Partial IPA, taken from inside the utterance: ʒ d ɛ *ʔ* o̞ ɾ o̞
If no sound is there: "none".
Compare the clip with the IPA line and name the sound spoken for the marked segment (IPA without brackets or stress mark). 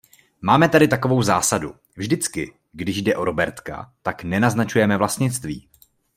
ʔ